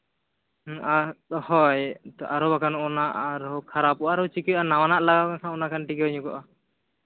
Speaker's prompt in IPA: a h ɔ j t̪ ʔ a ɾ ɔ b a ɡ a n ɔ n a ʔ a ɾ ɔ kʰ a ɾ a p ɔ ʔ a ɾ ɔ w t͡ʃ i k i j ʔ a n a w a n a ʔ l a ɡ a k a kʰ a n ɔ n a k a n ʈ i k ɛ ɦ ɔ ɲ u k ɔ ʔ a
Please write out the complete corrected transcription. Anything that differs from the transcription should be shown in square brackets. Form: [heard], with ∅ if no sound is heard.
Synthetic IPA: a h ɔ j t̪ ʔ a ɾ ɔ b a [k] a n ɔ n a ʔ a ɾ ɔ kʰ a ɾ a p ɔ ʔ a ɾ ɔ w t͡ʃ i k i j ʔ a n a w a n a ʔ l a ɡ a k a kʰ a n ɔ n a k a n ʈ i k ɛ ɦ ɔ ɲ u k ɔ ʔ a